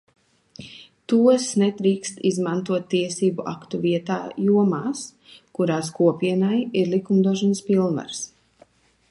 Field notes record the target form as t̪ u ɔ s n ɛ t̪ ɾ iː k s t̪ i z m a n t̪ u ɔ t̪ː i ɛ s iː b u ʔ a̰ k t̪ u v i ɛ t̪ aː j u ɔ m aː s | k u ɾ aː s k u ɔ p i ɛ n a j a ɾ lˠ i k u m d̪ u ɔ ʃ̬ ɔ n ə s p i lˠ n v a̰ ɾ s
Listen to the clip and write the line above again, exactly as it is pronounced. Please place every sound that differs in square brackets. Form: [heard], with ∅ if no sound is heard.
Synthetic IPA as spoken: t̪ u ɔ s n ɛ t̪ ɾ iː k s t̪ i z m a n t̪ u ɔ t̪ː i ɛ s iː b u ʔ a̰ k t̪ u v i ɛ t̪ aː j u ɔ m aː s | k u ɾ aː s k u ɔ p i ɛ n a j [i] ɾ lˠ i k u m d̪ u ɔ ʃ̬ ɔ n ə s p i lˠ n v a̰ ɾ s